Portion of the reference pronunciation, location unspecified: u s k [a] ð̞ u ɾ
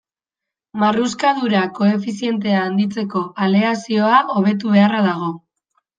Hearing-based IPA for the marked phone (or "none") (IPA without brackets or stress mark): a